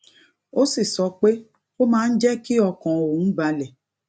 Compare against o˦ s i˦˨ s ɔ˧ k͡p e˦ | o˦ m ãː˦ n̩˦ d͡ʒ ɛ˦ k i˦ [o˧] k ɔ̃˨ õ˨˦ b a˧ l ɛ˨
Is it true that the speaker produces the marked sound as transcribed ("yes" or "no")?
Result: no